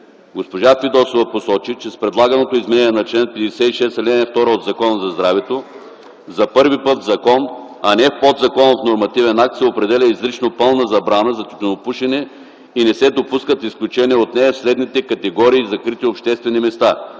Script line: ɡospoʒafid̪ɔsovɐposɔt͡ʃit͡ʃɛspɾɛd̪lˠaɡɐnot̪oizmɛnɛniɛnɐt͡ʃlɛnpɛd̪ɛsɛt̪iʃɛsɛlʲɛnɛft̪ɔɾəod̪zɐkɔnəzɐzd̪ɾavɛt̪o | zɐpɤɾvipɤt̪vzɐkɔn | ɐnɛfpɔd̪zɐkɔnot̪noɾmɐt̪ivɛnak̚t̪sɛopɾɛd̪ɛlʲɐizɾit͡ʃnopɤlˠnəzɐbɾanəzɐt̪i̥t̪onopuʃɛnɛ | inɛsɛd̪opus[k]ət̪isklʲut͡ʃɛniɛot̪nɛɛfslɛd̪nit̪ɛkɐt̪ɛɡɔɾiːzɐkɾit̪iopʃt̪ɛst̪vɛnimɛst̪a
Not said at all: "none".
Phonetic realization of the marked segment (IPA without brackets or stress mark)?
k